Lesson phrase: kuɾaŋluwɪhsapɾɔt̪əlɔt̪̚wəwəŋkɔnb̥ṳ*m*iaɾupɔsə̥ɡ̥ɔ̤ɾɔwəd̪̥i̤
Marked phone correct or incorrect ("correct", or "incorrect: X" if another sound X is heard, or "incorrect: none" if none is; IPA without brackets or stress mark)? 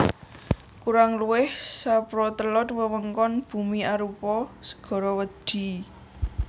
correct